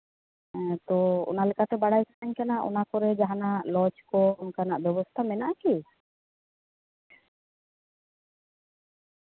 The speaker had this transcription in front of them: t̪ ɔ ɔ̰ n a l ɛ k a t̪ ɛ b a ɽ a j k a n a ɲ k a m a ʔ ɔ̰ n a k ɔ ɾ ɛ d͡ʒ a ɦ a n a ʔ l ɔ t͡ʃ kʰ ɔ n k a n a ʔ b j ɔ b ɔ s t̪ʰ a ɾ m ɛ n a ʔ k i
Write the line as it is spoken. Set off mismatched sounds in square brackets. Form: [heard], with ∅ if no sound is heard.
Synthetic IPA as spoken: t̪ ɔ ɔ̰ n a l ɛ k a t̪ ɛ b a ɽ a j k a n a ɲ k a [n] a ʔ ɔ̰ n a k ɔ ɾ ɛ d͡ʒ a ɦ a n a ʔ l ɔ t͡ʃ [k] ɔ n k a n a ʔ b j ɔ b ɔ s t̪ʰ a [∅] m ɛ n a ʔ k i